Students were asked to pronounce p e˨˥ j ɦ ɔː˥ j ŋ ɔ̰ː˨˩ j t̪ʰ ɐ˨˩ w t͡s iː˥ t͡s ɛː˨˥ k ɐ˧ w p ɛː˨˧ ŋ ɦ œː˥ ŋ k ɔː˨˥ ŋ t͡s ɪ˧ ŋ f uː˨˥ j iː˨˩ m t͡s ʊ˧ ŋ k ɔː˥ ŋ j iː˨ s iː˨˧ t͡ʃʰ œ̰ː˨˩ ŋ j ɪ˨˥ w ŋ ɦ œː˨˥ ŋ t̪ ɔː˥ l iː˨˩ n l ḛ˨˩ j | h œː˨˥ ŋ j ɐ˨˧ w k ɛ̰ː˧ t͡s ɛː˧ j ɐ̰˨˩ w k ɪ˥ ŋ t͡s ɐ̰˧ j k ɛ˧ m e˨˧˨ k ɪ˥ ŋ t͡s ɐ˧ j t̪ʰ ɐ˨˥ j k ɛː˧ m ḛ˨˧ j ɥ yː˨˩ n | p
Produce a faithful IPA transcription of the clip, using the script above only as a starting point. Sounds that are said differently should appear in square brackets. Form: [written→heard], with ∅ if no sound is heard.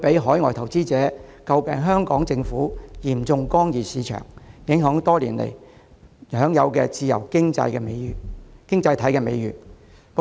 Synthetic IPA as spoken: p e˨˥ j ɦ [ɔː˥→ɔː˨˥] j ŋ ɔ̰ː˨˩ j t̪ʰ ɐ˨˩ w t͡s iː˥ t͡s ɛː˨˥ k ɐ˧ w p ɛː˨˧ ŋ ɦ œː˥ ŋ k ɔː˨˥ ŋ t͡s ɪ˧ ŋ f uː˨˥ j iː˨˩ m t͡s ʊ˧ ŋ k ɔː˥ ŋ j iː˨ s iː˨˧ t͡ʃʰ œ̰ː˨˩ ŋ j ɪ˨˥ [w→∅] ŋ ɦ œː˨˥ ŋ t̪ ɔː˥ l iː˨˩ n l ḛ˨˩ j | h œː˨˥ ŋ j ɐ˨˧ w k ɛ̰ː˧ t͡s [ɛː˧→iː˧] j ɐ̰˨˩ w k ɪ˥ ŋ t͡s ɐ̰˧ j k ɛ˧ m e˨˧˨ k ɪ˥ ŋ t͡s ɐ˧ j t̪ʰ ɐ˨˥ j k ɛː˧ m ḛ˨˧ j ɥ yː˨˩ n | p